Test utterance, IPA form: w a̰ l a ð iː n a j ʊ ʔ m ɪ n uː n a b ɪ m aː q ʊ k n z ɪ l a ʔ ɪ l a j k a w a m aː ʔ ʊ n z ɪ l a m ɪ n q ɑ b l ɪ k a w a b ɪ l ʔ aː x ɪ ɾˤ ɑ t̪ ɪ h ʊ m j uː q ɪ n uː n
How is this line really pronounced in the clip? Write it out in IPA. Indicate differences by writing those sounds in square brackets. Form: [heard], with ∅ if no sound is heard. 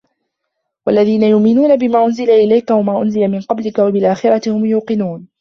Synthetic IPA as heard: w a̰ [lː] a ð iː n a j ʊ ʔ m ɪ n uː n a b ɪ m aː [ʔ] ʊ [∅] n z ɪ l a ʔ ɪ l a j k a w a m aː ʔ ʊ n z ɪ l a m ɪ n q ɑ b l ɪ k a w a b ɪ l ʔ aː x ɪ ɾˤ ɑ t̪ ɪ h ʊ m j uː q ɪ n uː n